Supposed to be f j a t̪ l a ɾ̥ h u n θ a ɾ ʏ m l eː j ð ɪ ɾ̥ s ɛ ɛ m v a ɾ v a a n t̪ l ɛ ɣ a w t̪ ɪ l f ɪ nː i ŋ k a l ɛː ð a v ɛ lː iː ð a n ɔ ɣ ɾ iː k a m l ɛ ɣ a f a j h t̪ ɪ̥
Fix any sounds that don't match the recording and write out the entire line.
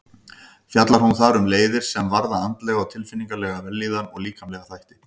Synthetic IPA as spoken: f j a t̪ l a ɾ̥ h u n θ a ɾ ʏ m l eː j ð ɪ ɾ̥ s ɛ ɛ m v a ɾ ð a a n t̪ l ɛ ɣ a w t̪ʰ ɪ l f ɪ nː i ŋ k a l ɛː ɣ a v ɛ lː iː ð a n ɔ ɣ l iː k a m l ɛ ɣ a θ a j h t̪ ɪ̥